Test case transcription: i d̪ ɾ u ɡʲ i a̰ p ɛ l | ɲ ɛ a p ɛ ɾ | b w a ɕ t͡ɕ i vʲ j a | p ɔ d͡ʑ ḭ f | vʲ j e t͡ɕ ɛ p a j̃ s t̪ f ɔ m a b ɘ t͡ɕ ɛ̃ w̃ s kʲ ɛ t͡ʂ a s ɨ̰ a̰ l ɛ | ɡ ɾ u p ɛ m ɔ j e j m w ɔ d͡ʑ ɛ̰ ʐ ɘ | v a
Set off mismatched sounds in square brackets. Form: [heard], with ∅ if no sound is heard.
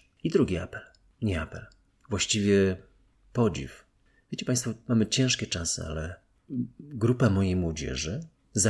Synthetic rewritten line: i d̪ ɾ u ɡʲ i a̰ p ɛ l | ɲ ɛ a p ɛ [l] | [v] w a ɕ t͡ɕ i vʲ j [ɛ] | p ɔ d͡ʑ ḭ f | vʲ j e t͡ɕ ɛ p a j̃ s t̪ f ɔ m a [m] ɘ t͡ɕ ɛ̃ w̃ [ʂ] kʲ ɛ t͡ʂ a s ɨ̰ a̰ l ɛ | ɡ ɾ u p [a] m ɔ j e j m w ɔ d͡ʑ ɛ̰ ʐ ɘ | [z] a